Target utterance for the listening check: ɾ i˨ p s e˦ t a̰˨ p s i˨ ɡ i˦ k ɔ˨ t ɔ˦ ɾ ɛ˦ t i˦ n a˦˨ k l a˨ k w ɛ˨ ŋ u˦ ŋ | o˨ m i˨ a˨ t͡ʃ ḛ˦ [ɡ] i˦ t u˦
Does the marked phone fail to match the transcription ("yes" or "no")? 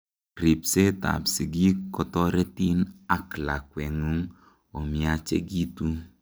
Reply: no